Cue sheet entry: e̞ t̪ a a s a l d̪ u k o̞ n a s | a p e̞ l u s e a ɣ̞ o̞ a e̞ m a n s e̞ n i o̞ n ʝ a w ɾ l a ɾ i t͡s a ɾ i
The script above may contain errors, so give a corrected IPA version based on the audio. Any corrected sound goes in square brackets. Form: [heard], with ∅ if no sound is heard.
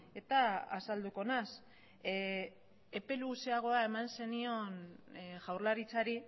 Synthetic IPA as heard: e̞ t̪ a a s a l d̪ u k o̞ n a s | [e] p e̞ l u s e a ɣ̞ o̞ a e̞ m a n s e̞ n i o̞ n ʝ a w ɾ l a ɾ i t͡s a ɾ i